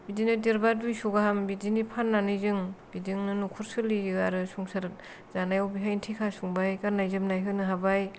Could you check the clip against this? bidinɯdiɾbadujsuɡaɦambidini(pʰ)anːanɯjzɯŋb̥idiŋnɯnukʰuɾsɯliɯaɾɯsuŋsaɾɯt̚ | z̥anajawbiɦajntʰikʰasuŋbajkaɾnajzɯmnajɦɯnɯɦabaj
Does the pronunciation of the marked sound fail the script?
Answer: no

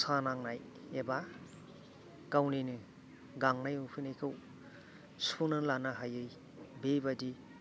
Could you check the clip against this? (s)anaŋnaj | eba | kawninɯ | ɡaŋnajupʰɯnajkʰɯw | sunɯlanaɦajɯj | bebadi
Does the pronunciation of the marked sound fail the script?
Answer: no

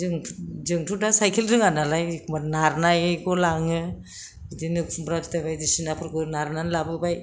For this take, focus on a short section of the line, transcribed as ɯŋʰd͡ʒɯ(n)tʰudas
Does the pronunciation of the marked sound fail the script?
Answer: yes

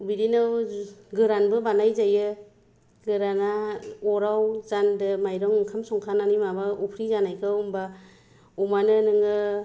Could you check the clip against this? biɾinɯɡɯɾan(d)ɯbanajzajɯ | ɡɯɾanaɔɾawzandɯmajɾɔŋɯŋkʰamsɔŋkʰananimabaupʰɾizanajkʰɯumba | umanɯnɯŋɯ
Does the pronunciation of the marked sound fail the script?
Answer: yes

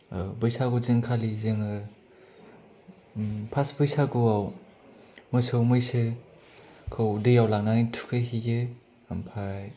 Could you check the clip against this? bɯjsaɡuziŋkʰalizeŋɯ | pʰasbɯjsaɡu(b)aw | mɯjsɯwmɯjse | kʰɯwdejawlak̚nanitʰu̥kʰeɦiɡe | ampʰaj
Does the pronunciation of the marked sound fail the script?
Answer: yes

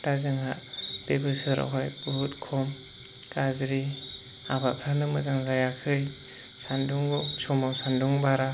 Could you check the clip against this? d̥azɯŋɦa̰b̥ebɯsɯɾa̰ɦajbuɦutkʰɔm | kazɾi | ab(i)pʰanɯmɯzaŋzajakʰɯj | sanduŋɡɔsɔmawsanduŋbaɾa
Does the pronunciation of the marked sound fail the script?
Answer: yes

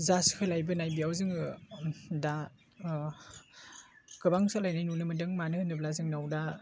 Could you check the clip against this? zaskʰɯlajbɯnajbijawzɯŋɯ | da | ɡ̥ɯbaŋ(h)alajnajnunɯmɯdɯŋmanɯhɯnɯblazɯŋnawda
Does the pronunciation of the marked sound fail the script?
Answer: yes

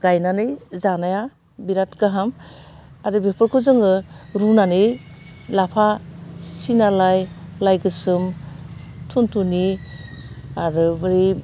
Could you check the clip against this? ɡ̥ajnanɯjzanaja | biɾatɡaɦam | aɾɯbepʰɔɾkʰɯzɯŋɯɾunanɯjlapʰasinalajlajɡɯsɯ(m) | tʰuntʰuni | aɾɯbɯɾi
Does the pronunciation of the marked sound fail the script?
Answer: no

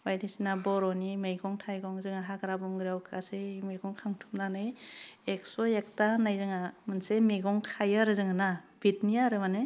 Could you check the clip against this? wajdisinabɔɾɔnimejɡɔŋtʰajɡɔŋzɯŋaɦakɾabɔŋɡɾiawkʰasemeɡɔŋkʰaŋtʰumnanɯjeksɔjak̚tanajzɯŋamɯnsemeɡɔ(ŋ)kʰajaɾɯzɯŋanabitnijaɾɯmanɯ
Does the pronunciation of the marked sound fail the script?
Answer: no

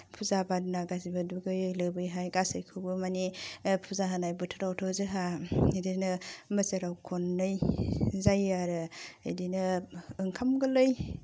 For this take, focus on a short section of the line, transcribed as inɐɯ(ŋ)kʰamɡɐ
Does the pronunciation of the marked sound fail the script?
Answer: no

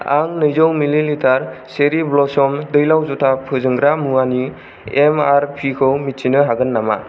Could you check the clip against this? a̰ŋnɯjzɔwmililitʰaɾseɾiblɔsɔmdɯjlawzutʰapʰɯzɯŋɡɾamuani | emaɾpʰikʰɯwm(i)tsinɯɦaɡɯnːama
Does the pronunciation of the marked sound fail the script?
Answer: no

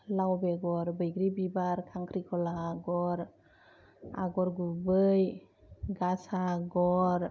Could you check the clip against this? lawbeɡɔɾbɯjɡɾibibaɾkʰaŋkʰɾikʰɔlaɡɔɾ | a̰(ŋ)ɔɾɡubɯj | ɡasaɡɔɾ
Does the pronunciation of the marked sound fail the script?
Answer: yes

